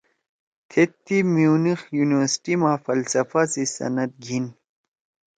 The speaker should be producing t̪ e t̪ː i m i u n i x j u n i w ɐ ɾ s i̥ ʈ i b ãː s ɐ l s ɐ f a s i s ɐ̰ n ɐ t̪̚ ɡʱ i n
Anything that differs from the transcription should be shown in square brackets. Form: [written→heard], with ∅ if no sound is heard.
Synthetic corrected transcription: [t̪→t̪ʰ] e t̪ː i m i u n i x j u n i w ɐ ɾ s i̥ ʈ i [b→m] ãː [s→f] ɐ l s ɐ f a s i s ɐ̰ n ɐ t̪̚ ɡʱ i n